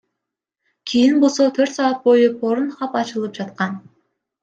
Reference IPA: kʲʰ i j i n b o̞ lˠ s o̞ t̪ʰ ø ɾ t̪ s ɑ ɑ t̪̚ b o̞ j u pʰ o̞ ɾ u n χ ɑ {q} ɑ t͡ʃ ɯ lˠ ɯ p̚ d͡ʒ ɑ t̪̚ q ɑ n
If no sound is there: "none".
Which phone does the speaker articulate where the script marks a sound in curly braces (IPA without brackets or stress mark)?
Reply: p